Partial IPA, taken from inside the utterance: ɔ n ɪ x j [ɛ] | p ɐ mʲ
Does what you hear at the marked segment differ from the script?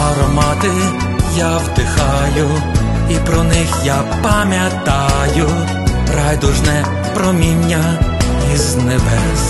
yes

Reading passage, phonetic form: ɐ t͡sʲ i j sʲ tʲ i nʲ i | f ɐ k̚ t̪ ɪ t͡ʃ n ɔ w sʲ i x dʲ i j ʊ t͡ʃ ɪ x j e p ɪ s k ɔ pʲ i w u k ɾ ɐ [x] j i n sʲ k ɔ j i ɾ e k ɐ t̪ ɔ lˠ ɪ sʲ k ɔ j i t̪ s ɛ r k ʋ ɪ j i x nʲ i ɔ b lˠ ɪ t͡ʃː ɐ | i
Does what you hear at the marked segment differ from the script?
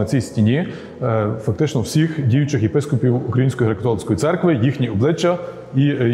yes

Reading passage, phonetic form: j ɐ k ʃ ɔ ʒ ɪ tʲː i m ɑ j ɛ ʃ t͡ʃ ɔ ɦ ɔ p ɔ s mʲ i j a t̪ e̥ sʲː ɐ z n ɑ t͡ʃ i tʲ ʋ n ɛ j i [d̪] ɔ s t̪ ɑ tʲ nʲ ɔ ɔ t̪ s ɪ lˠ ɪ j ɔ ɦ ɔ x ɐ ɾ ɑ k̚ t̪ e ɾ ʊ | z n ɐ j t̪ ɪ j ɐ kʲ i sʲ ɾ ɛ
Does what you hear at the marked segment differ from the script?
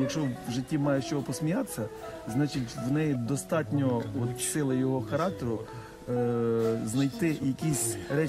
no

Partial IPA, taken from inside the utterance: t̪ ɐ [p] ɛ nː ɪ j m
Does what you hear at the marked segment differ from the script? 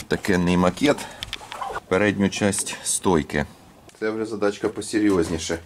yes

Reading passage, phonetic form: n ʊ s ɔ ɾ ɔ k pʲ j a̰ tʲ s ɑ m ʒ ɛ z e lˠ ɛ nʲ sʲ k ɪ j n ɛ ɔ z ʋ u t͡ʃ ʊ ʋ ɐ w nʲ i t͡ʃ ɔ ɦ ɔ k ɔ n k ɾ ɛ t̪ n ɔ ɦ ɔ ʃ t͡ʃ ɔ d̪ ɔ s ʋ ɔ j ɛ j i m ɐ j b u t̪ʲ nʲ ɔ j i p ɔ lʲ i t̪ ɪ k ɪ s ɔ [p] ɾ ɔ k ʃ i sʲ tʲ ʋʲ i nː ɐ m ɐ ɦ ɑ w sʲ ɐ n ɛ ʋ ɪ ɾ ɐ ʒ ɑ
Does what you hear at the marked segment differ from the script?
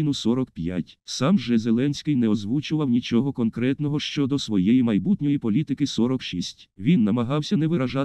yes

